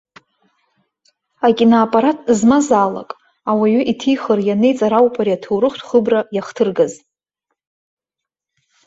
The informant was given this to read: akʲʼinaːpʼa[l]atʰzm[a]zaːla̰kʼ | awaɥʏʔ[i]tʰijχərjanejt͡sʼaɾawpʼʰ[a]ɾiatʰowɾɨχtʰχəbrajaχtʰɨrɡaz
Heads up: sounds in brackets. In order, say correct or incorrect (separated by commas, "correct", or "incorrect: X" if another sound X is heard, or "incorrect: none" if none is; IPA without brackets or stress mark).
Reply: incorrect: ɾ, correct, correct, correct